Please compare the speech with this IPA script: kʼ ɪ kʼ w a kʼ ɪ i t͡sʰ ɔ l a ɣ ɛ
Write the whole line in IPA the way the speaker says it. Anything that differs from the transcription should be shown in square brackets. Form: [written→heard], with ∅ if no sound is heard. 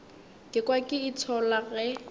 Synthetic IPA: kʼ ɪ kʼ w a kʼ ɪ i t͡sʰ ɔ l a ɣ ɛ